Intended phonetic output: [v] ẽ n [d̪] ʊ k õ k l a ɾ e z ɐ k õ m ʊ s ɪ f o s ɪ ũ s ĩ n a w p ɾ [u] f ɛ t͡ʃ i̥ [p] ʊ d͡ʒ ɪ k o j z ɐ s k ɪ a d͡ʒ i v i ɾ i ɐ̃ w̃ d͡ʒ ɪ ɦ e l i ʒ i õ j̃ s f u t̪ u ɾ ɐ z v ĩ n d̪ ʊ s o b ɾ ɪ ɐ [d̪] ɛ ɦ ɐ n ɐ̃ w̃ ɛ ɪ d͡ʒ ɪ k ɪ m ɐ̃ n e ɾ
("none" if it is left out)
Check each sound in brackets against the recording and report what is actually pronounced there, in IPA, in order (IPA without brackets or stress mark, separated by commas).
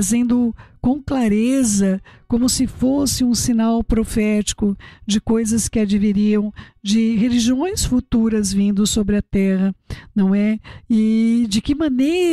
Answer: z, d̪, o, k, t̪